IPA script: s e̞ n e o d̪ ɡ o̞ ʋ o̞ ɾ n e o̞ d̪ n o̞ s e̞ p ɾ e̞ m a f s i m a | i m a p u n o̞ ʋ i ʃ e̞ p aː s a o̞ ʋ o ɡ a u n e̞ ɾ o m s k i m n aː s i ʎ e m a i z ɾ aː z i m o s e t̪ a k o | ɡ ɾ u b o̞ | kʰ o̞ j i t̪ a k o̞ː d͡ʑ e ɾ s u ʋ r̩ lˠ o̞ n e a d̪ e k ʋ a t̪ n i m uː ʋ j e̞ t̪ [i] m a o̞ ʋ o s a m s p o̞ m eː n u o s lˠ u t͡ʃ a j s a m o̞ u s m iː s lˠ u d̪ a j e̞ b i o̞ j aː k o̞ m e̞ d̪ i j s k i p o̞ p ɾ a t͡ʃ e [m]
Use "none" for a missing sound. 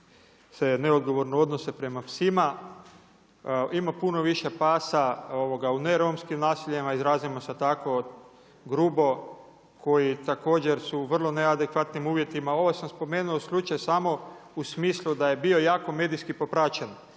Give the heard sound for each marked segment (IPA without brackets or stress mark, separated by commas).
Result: i, n